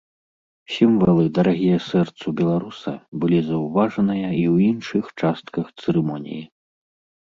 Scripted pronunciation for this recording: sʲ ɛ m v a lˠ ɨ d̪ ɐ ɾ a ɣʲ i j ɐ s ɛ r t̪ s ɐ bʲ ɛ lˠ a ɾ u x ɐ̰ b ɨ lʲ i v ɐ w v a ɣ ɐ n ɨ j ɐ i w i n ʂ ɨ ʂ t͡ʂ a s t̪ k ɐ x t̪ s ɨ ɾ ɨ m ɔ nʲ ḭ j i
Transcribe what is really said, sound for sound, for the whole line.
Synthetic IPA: sʲ i m v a lˠ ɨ d̪ ɐ ɾ a ɣʲ i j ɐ s ɛ r t̪ s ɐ bʲ ɛ lˠ a ɾ u s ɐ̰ b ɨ lʲ i z ɐ w v a ʐ ɐ n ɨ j ɐ i w i n ʂ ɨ x t͡ʂ a s t̪ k ɐ x t̪ s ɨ ɾ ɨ m ɔ nʲ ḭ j i